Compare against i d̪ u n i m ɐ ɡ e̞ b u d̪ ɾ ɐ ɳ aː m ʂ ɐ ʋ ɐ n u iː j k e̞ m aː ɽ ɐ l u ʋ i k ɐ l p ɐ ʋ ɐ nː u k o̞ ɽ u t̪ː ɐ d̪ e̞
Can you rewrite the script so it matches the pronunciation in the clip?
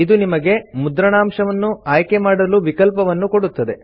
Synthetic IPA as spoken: i d̪ u n i m ɐ ɡ e̞ m u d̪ ɾ ɐ ɳ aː m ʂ ɐ ʋ ɐ nː u aː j k e̞ m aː ɽ ɐ l u ʋ i k ɐ l p ɐ ʋ ɐ nː u k o̞ ɽ u t̪ː ɐ d̪ e̞

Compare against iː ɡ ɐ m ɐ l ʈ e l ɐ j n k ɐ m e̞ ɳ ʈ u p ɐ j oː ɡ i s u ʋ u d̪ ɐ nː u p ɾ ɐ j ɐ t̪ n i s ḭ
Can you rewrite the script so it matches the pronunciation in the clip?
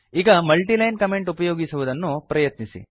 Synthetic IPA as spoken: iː ɡ ɐ m ɐ l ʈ i l ɐ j n k ɐ m e̞ ɳ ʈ u p ɐ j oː ɡ i s u ʋ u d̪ ɐ nː u p ɾ ɐ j ɐ t̪ n i s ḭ

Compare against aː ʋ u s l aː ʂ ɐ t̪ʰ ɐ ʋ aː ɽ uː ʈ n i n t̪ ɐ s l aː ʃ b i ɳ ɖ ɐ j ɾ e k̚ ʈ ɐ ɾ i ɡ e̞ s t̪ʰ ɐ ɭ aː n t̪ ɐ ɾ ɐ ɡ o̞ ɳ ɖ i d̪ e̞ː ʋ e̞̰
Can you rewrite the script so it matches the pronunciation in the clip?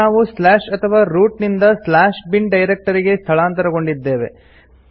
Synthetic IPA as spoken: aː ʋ u s l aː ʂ ɐ t̪ʰ ɐ ʋ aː ɾ uː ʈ n i n d̪ ɐ s l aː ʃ b i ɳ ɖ ɐ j ɾ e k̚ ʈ ɐ ɾ i ɡ e̞ s t̪ʰ ɐ ɭ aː n t̪ ɐ ɾ ɐ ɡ o̞ ɳ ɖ i d̪ː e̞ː ʋ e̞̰

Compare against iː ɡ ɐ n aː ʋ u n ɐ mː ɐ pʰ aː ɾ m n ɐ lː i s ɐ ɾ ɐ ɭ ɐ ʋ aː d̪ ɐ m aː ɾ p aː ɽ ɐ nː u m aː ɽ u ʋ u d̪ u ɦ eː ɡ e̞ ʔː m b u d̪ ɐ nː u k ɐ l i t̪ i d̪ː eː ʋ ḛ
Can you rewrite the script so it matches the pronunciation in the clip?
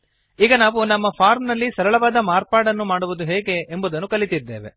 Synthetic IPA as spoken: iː ɡ ɐ n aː ʋ u n ɐ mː ɐ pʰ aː ɾ m n ɐ lː i s ɐ ɾ ɐ ɭ ɐ ʋ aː d̪ ɐ m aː ɾ p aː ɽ ɐ nː u m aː ɽ u ʋ u d̪ u ɦ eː ɡ e̞ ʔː m b u d̪ ɐ nː u k ɐ l i t̪ i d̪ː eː ʋ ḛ

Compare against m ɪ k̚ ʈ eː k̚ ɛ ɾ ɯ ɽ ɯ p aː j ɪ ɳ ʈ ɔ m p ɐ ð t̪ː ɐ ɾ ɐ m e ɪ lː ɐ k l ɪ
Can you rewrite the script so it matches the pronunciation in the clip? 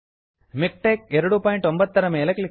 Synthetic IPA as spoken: m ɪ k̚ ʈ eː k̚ ɛ ɾ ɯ ɽ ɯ p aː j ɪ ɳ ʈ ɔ m b ɐ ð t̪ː ɐ ɾ ɐ m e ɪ l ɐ k l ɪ

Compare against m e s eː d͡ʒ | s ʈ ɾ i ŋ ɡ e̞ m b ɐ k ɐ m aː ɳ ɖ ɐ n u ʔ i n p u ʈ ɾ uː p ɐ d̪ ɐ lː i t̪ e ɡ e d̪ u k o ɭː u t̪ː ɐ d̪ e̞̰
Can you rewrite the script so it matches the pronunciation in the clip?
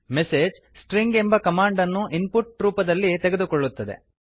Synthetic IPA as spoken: m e s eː d͡ʒ | s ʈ ɾ i ŋ ɡ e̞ m b ɐ k ɐ m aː ɳ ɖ ɐ nː u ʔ i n p u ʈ ɾ uː p ɐ d̪ ɐ lː i t̪ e ɡ e d̪ u k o ɭː u t̪ː ɐ d̪ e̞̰

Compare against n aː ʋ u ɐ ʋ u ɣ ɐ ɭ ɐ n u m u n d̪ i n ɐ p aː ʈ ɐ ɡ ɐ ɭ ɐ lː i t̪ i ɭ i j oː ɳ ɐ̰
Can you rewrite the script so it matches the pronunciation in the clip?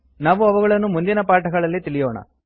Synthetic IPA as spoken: n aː ʋ u ɐ ʋ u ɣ ɐ ɭ ɐ nː u m u n d̪ i n ɐ p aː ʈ ɐ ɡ ɐ ɭ ɐ lː i t̪ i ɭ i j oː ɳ ɐ̰

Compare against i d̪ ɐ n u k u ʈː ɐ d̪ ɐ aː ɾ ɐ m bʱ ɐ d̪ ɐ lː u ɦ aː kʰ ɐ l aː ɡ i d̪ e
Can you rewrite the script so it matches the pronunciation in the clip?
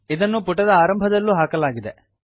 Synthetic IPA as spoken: i d̪ ɐ nː u p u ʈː ɐ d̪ ɐ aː ɾ ɐ m bʱ ɐ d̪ ɐ lː u ɦ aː k ɐ l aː ɡ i d̪ e

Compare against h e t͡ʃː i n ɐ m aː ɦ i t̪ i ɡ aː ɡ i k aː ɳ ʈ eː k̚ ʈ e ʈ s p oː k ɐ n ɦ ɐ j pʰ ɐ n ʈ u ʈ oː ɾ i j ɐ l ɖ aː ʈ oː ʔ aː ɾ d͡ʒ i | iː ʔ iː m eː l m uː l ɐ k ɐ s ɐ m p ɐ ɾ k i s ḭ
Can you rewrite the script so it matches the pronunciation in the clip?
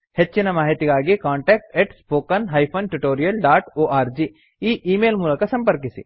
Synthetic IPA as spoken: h e t͡ʃː i n ɐ m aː ɦ i t̪ i ɡ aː ɡ i k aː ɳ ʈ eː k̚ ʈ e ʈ s p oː k ɐ n ɦ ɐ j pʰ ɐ n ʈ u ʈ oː ɾ i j ɐ l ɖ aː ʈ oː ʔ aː ɾ d͡ʒ i | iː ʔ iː m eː l m uː l ɐ k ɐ s ɐ m p ɐ ɾ k i s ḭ

